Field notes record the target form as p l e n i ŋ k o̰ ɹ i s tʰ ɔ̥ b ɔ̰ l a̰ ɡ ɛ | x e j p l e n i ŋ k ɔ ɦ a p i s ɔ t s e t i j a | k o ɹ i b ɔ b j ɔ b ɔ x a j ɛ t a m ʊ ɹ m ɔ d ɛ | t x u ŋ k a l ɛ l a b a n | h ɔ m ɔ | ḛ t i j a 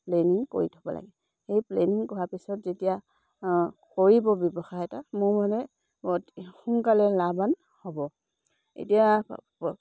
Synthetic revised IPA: p l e n i ŋ k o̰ ɹ i tʰ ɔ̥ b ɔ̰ l a̰ ɡ ɛ | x e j p l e n i ŋ k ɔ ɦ a p i s ɔ t z e t i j a | k o ɹ i b ɔ b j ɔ b ɔ x a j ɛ t a m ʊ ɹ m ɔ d ɛ | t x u ŋ k a l ɛ l a b a n | h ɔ b ɔ | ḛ t i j a